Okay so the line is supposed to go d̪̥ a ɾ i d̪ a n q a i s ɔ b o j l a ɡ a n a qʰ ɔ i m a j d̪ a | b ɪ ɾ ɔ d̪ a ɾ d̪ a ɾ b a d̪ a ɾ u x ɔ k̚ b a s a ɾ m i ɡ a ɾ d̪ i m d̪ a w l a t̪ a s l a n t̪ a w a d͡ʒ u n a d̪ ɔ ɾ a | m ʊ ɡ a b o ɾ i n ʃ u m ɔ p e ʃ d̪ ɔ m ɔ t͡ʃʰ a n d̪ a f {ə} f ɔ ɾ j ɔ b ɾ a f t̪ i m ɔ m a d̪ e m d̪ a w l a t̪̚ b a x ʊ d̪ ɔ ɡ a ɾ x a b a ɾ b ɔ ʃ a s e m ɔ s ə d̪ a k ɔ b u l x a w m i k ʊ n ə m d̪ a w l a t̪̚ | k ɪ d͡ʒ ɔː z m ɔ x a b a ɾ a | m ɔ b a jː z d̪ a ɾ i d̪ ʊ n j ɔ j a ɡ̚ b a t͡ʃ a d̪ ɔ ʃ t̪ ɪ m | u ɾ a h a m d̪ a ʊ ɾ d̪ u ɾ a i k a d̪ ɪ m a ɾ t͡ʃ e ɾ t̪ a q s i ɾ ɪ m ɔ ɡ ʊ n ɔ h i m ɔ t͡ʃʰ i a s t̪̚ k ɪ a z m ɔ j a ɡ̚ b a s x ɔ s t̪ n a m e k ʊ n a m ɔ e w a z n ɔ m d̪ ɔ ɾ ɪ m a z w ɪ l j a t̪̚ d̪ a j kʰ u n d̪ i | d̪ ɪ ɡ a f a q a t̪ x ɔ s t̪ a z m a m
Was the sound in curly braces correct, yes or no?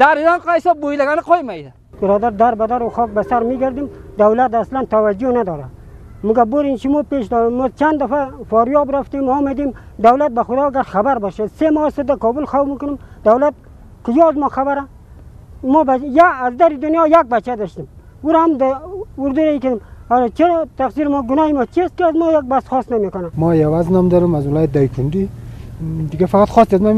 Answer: no